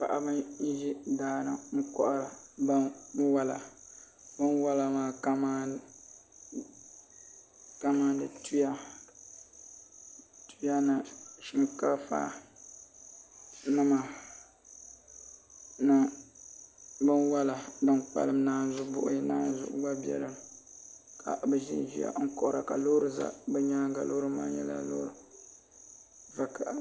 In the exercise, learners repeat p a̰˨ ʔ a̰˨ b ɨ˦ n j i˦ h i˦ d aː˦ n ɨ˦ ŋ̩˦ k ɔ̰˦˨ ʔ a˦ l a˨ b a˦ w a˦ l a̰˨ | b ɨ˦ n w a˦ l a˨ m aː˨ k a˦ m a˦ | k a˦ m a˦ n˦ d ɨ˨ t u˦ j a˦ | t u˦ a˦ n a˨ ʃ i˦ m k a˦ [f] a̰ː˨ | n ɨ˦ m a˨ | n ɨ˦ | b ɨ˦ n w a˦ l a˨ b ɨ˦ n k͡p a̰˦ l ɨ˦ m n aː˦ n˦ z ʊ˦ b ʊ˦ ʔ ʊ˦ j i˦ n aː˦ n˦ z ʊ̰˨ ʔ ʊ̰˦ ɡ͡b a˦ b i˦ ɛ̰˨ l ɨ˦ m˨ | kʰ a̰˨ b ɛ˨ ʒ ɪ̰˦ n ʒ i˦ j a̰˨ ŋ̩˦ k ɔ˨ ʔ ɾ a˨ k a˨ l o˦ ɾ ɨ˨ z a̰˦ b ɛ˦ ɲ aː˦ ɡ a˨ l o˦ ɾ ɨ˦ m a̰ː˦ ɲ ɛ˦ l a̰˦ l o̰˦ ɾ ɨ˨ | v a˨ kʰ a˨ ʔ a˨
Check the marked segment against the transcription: correct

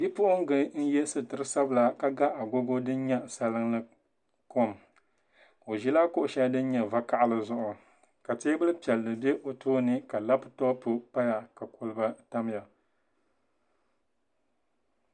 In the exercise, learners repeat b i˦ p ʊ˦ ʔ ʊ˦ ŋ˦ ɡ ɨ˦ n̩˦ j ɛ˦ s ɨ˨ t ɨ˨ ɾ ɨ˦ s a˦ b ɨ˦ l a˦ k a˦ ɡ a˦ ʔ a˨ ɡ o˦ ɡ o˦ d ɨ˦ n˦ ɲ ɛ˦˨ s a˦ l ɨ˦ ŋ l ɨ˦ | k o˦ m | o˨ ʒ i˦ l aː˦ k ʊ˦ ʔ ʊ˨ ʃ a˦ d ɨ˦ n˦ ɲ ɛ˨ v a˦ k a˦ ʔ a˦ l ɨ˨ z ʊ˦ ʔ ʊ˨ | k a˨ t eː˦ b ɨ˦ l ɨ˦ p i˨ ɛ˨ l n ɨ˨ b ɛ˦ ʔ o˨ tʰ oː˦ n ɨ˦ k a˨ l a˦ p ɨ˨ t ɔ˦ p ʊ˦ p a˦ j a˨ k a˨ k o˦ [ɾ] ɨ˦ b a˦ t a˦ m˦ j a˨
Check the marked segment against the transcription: incorrect: l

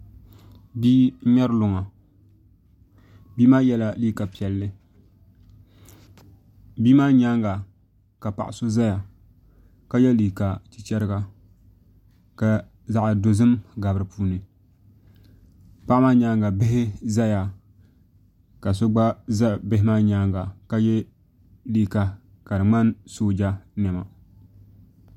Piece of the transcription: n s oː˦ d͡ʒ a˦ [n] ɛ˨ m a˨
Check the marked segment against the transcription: correct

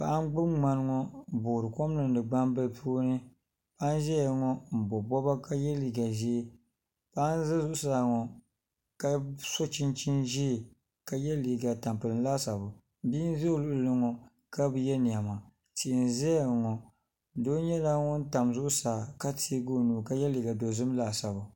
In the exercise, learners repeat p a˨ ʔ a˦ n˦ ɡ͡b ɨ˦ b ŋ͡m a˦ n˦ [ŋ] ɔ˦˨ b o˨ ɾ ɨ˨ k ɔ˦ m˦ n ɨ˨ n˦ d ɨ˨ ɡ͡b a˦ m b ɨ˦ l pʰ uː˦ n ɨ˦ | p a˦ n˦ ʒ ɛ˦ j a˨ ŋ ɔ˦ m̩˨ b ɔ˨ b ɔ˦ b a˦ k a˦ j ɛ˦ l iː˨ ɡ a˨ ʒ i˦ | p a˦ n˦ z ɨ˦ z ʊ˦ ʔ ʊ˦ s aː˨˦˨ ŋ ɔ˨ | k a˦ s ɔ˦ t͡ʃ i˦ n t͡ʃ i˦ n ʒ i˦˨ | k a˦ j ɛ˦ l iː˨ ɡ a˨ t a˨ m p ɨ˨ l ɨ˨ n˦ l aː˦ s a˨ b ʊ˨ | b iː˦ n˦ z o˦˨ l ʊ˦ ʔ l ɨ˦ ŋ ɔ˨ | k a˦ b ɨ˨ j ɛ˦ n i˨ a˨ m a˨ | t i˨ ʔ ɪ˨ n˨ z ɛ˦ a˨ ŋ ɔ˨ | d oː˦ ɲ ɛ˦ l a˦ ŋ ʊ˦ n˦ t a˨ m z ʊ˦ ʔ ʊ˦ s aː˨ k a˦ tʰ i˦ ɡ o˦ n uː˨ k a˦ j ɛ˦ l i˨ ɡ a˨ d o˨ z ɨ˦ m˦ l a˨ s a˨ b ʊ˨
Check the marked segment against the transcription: correct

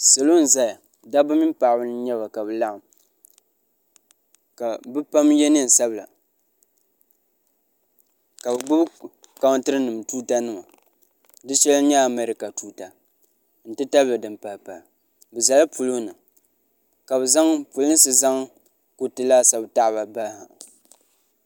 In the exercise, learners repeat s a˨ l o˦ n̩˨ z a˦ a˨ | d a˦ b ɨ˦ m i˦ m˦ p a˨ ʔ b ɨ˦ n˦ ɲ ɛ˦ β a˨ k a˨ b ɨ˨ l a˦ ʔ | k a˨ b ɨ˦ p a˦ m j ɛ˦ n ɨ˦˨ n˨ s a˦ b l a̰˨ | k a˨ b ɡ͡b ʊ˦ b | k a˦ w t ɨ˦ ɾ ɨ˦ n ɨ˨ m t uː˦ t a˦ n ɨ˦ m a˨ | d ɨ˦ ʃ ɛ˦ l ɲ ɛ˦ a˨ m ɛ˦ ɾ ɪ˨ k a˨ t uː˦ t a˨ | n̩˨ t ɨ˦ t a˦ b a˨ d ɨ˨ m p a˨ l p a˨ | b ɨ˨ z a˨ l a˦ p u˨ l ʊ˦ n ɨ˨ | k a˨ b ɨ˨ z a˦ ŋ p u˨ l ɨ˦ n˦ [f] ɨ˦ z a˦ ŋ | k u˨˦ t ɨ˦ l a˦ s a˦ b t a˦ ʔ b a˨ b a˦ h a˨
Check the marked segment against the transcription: incorrect: s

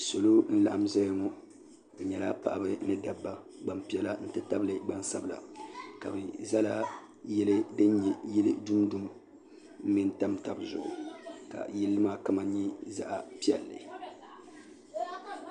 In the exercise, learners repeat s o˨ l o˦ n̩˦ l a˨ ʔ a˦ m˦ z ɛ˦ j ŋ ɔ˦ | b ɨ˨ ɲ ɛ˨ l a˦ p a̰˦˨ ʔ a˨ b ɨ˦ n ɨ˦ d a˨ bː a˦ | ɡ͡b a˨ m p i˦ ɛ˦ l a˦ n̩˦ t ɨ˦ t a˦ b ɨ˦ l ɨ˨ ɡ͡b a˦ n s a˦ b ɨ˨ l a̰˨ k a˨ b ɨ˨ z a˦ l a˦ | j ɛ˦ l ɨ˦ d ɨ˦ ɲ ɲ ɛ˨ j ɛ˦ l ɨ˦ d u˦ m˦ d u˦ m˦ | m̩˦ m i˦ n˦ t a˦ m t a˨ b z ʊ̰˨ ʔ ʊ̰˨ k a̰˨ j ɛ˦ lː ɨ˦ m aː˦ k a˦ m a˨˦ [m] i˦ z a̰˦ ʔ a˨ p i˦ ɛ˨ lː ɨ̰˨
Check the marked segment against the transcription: incorrect: ɲ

